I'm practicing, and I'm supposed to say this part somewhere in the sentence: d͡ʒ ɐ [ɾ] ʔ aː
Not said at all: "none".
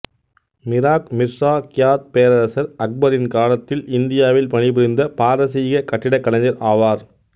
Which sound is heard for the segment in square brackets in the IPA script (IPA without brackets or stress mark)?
ɾ